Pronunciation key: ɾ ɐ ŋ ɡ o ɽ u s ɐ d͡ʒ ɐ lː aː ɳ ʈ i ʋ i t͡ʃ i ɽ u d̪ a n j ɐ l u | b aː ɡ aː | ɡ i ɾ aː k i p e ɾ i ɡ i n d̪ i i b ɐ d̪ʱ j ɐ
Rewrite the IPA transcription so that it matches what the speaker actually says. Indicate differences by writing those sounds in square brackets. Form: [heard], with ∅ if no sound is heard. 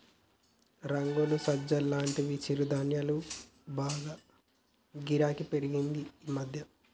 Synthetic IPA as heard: ɾ ɐ ŋ ɡ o [l] u s ɐ d͡ʒ ɐ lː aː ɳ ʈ i ʋ i t͡ʃ i [ɾ] u d̪ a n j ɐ l u | b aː ɡ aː | ɡ i ɾ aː k i p e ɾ i ɡ i n d̪ i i [m] ɐ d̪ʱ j ɐ